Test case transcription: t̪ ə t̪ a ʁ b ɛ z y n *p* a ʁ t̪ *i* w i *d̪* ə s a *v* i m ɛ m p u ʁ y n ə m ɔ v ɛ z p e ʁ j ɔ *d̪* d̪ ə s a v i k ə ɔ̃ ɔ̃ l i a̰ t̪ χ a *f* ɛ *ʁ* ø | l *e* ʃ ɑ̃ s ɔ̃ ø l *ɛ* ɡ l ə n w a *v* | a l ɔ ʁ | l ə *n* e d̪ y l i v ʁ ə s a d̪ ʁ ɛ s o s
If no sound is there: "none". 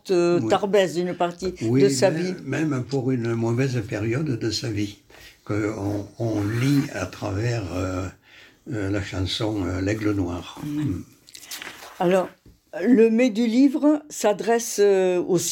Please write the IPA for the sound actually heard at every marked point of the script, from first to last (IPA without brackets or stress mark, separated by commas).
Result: p, i, d̪, v, d̪, v, ʁ, a, ɛ, ʁ, m